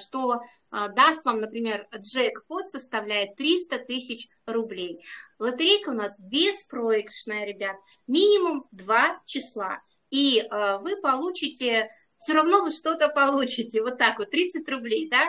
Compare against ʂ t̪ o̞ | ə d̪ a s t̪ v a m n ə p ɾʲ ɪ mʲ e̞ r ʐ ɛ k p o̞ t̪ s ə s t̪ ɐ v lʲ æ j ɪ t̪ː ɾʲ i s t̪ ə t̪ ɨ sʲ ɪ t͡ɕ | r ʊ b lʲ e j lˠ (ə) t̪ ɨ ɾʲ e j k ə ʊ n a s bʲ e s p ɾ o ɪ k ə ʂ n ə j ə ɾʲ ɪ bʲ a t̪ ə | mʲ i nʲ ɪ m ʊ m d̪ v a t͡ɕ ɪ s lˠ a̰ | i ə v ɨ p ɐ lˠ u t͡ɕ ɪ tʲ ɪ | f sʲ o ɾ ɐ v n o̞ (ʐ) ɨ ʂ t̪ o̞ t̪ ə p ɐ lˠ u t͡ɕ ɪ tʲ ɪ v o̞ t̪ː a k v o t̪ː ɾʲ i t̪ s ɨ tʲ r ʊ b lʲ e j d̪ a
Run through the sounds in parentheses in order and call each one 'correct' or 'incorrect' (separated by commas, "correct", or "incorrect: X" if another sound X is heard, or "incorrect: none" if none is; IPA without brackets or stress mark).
correct, incorrect: v